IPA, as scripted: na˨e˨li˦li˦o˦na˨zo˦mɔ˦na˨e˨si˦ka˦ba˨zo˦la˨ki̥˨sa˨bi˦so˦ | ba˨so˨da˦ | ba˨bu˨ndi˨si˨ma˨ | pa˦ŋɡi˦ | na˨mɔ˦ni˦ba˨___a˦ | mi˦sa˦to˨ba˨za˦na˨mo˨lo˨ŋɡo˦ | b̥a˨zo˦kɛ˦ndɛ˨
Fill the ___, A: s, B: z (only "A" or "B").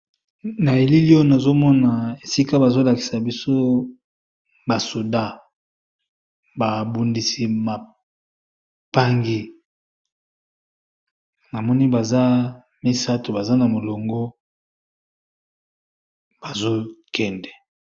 B